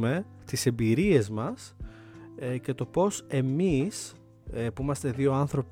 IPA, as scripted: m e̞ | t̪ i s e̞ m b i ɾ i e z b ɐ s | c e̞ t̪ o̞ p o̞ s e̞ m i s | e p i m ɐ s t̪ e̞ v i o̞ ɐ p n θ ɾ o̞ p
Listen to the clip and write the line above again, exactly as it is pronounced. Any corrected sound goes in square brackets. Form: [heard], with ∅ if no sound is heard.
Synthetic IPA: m e̞ | t̪ i s e̞ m b i ɾ i e z [m] ɐ s | c e̞ t̪ o̞ p o̞ s e̞ m i s | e p i m ɐ s t̪ e̞ [ð] i o̞ ɐ [∅] n θ ɾ o̞ p